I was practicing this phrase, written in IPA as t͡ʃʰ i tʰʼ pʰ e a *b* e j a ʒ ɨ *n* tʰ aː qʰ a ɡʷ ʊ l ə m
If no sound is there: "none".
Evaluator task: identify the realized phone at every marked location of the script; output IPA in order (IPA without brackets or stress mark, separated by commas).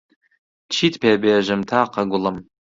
b, m